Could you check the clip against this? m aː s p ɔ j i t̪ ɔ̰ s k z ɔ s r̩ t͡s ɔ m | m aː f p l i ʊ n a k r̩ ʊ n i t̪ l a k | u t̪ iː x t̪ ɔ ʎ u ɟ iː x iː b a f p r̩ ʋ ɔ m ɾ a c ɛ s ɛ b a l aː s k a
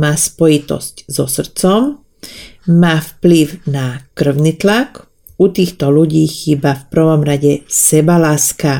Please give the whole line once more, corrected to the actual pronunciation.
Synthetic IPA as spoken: m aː s p ɔ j i t̪ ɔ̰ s c z ɔ s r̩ t͡s ɔ m | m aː f p l i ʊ n a k r̩ ʊ n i t̪ l a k | u t̪ iː x t̪ ɔ l u ɟ iː x iː b a f p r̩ ʋ ɔ m ɾ a ɟ ɛ s ɛ b a l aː s k a